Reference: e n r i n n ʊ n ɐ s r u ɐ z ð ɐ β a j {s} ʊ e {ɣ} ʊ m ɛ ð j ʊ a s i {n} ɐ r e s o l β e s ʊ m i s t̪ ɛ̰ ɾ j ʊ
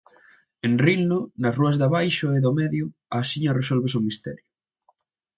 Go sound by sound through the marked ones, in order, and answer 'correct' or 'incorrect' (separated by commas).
incorrect, incorrect, incorrect